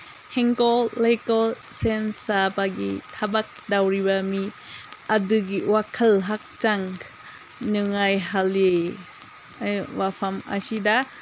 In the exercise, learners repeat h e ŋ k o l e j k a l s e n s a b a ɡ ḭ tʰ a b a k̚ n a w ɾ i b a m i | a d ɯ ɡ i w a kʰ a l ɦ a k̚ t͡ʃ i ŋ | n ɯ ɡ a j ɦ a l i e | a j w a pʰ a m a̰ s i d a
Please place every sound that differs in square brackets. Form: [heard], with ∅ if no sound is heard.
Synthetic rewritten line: h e ŋ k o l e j k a l s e n s a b a ɡ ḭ tʰ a b a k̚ [d] a w ɾ i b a m i | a d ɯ ɡ i w a kʰ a l ɦ a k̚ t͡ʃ [a] ŋ | n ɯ [ŋ] a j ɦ a l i e | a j w a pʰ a m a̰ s i d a